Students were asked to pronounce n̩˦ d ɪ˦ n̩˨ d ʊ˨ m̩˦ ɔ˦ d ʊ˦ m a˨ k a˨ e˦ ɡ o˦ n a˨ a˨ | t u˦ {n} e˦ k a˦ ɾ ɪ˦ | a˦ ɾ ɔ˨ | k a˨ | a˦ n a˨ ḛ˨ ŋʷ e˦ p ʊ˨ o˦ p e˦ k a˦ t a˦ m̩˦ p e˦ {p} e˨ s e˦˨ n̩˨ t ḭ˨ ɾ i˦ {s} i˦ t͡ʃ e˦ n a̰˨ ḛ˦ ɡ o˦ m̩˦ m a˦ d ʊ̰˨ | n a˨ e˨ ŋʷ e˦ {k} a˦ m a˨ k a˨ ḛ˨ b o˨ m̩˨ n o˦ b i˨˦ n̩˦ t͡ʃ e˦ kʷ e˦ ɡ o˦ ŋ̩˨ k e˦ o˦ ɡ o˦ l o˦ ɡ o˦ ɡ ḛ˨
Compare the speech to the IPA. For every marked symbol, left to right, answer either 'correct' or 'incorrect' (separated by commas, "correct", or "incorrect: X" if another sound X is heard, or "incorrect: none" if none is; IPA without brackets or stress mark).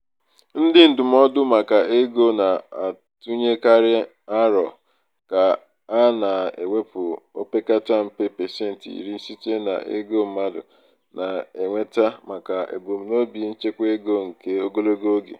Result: incorrect: ɲ, correct, correct, incorrect: t